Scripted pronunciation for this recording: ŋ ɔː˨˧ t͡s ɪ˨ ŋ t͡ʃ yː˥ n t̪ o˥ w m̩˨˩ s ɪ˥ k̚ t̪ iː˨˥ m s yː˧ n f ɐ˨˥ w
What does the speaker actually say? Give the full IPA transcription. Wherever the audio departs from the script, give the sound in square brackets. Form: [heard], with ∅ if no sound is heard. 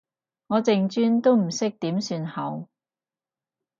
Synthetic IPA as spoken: ŋ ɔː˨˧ t͡s ɪ˨ ŋ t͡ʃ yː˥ n t̪ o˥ w m̩˨˩ s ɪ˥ k̚ t̪ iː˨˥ m s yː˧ n [h] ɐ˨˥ w